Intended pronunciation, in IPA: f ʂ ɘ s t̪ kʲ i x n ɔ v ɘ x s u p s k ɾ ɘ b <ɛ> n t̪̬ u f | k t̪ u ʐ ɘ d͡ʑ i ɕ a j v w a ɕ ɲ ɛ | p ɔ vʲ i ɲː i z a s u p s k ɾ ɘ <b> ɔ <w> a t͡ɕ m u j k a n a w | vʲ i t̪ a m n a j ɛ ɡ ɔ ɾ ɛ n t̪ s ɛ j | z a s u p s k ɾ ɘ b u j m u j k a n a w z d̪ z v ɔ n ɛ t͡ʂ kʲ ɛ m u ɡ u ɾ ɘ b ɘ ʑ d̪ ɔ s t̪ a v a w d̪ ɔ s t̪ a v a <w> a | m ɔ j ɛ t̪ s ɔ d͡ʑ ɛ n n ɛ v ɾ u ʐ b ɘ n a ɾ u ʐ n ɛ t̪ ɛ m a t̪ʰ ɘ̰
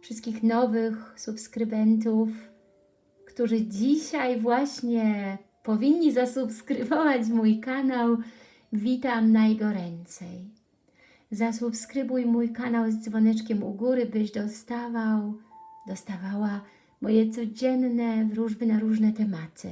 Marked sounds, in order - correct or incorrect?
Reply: correct, incorrect: v, incorrect: v, correct

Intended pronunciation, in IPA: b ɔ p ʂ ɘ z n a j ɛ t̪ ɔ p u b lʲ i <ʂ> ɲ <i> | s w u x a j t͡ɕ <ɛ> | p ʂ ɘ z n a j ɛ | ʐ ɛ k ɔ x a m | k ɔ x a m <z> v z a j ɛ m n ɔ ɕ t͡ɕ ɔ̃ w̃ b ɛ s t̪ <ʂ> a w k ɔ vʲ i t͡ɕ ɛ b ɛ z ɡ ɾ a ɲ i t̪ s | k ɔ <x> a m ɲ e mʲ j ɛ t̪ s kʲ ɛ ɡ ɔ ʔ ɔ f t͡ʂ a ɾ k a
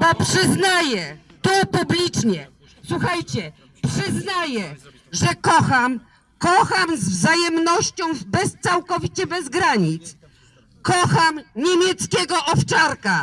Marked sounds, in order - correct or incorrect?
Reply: incorrect: t͡ʂ, incorrect: ɛ, correct, correct, incorrect: s, correct

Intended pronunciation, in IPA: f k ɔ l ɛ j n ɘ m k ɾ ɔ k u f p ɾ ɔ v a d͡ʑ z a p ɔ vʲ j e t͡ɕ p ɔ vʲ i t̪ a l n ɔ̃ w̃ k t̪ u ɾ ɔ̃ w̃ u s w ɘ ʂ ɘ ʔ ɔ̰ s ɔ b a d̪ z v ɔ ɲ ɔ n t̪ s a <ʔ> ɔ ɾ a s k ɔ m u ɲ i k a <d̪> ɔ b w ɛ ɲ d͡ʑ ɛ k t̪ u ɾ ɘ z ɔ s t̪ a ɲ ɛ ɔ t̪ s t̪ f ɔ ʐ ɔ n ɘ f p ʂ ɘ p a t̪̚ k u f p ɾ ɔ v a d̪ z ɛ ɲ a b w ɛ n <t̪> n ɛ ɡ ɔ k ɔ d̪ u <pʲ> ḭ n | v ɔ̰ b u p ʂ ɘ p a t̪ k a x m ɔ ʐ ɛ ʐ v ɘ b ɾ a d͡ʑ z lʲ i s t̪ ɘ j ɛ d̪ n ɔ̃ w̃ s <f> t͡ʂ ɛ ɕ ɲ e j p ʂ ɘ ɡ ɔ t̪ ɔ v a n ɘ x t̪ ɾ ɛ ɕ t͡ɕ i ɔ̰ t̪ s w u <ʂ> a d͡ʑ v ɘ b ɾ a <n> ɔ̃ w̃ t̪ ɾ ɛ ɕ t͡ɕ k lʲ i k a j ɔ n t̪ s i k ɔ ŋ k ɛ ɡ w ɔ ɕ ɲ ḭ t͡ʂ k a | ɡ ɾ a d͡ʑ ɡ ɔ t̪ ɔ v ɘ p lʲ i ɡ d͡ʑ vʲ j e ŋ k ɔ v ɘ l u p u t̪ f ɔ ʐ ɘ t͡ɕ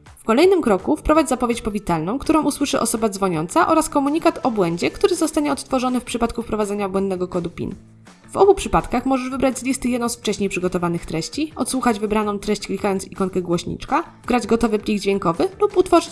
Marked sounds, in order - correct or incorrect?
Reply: correct, incorrect: t̪, incorrect: d̪, correct, correct, incorrect: x, correct

